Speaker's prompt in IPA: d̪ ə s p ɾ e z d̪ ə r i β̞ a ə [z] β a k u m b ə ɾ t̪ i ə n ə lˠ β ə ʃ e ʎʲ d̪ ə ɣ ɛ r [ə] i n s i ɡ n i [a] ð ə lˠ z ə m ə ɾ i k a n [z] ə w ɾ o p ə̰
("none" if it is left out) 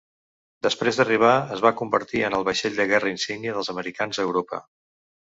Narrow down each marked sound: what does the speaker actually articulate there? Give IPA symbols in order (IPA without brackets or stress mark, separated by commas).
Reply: z, ə, ə, z